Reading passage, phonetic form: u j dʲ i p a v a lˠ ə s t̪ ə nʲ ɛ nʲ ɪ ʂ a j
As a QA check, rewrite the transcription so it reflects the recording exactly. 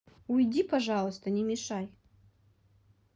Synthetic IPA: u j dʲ i p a ʐ a lˠ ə s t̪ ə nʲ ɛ mʲ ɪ ʂ a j